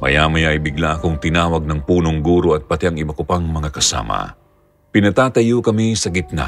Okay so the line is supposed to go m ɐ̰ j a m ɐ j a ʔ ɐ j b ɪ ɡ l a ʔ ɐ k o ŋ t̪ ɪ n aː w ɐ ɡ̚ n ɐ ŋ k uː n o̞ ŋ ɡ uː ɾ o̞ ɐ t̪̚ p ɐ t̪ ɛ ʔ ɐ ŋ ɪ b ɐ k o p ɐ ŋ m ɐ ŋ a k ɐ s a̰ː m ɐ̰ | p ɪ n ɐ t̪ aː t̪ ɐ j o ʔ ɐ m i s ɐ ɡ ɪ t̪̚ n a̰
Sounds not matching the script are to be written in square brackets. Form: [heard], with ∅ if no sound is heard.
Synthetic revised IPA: m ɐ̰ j a m ɐ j a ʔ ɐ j b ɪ ɡ l a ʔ ɐ k o ŋ t̪ ɪ n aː w ɐ ɡ̚ n ɐ ŋ [p] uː n o̞ ŋ ɡ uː ɾ o̞ ɐ t̪̚ p ɐ t̪ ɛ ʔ ɐ ŋ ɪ b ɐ k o p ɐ ŋ m ɐ ŋ a k ɐ s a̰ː m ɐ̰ | p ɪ n ɐ t̪ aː t̪ ɐ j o [k] ɐ m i s ɐ ɡ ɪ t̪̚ n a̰